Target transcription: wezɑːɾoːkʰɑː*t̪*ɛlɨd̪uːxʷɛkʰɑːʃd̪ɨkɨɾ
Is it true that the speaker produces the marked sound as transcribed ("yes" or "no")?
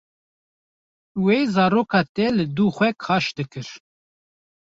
yes